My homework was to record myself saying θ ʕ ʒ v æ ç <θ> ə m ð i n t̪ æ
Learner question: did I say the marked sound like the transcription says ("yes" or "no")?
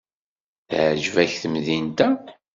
yes